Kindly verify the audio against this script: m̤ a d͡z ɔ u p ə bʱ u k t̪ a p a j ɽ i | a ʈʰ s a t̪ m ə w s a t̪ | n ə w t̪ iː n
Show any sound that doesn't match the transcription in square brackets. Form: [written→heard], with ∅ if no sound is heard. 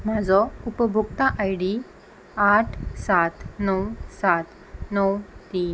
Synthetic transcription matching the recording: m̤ a d͡z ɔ u p ə bʱ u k t̪ a [p→ʔ] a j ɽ i | a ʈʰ s a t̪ [m→n] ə w s a t̪ | n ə w t̪ iː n